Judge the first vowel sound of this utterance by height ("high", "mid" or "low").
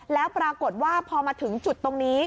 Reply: mid